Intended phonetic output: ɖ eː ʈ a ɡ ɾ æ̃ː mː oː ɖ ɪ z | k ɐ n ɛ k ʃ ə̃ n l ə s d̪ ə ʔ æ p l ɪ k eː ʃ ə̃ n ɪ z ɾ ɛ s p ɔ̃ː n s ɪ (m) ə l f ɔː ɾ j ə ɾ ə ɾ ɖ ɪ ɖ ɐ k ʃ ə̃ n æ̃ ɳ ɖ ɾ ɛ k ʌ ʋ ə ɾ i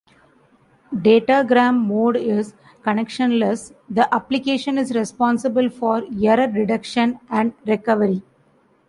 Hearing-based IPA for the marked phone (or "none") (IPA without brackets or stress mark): b